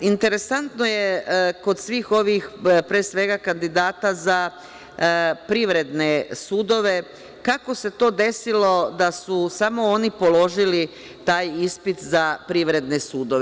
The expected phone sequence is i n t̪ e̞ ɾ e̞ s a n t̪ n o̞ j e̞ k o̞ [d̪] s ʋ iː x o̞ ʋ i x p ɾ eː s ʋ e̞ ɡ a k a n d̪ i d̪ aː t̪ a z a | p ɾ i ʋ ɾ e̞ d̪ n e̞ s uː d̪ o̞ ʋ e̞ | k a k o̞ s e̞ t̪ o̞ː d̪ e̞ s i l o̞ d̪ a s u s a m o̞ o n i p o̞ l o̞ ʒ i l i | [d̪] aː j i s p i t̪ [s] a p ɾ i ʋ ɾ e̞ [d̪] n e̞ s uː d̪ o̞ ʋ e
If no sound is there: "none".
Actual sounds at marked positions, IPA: d̪, t̪, z, d̪

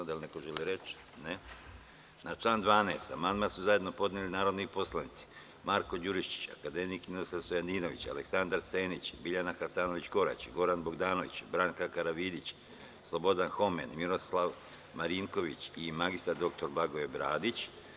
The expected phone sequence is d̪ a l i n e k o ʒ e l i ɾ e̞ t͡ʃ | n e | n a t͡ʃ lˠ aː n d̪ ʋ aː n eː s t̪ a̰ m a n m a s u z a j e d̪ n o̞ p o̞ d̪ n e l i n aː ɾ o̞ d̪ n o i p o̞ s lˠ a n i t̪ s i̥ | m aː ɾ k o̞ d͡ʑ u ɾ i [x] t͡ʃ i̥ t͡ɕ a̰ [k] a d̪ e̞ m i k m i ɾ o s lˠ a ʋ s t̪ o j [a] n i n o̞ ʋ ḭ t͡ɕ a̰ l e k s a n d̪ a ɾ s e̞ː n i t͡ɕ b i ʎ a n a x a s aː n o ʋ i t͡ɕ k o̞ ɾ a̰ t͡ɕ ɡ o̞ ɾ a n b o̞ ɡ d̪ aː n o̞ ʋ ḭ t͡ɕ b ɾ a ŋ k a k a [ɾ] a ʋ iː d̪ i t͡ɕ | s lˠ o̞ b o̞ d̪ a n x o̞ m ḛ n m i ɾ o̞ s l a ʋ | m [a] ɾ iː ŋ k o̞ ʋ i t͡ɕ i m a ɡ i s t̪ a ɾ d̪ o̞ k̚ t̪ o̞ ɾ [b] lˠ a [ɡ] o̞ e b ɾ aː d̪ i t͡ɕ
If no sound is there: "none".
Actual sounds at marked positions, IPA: ʃ, k, a, ɾ, a, b, ɡ

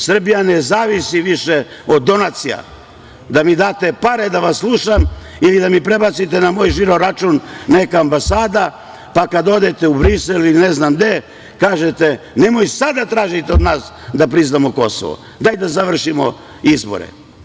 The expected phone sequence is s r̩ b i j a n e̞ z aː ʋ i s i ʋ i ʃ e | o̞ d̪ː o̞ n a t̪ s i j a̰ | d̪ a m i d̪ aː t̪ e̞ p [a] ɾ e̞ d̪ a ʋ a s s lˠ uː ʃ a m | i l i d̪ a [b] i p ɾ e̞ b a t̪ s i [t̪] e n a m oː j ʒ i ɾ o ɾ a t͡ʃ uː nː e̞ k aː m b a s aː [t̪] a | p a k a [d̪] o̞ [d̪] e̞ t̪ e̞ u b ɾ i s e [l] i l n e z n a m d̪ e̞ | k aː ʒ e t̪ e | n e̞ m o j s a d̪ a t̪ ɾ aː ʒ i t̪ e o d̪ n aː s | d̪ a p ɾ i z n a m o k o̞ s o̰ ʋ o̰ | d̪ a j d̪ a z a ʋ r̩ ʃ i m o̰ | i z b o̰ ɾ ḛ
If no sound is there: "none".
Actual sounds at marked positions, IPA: a, m, t̪, d̪, d̪, d̪, l

